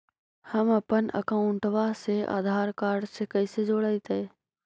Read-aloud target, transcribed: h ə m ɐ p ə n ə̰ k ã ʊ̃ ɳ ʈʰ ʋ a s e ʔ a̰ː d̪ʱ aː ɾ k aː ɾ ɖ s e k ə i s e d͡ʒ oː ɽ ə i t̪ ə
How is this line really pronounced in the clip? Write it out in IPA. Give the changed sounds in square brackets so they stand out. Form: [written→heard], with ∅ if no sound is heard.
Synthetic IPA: h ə m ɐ p ə n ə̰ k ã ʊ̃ ɳ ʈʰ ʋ a s e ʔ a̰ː d̪ʱ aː ɾ k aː ɾ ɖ s e k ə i s e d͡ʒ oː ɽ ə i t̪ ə